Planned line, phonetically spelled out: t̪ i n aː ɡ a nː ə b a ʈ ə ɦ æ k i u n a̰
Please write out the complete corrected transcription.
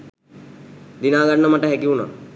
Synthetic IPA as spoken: d̪ i n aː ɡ a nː ə m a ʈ ə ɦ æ k i u n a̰